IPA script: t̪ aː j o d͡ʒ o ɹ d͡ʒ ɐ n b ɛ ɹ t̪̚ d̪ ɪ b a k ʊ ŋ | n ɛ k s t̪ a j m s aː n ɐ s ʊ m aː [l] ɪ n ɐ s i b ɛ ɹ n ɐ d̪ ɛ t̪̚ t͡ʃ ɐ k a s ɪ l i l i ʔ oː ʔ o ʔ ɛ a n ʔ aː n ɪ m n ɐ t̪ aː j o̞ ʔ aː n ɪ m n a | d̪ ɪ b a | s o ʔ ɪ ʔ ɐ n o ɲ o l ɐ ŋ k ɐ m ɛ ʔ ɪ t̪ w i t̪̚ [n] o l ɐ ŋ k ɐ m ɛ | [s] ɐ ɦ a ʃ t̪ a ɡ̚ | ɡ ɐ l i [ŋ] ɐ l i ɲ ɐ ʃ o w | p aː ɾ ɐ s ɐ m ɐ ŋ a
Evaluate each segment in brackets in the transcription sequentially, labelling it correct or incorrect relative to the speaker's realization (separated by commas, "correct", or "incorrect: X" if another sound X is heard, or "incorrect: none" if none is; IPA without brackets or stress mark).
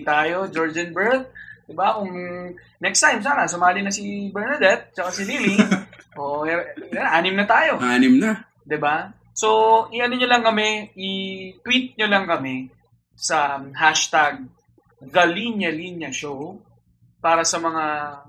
correct, incorrect: ɲ, correct, incorrect: ɲ